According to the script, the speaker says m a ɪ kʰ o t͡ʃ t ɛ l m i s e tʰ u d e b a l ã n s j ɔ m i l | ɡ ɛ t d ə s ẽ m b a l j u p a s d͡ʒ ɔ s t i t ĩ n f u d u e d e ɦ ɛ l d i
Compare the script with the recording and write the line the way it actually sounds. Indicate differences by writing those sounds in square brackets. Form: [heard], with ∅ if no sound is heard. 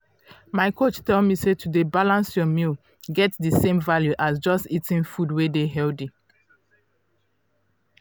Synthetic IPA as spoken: m a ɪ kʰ o t͡ʃ t ɛ l m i s e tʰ u d e b a l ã n s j ɔ m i l | ɡ ɛ t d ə s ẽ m [v] a l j u [ʔ] a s d͡ʒ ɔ s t i t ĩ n f u d [w] e d e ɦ ɛ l d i